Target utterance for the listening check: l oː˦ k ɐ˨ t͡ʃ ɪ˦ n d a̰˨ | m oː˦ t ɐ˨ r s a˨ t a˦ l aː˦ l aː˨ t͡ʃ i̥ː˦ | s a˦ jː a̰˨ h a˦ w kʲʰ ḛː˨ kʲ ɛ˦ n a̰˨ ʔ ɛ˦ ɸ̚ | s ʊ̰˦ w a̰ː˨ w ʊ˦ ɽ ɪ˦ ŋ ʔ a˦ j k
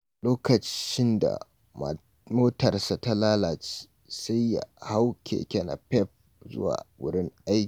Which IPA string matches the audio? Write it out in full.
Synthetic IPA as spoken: l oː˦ k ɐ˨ t͡ʃ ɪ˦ n d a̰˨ | m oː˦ t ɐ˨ r s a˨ t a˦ l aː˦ l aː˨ t͡ʃ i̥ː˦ | s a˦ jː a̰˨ h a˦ w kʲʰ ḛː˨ kʲ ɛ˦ n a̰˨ p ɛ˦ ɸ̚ | z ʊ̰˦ w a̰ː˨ w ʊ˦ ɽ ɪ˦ ŋ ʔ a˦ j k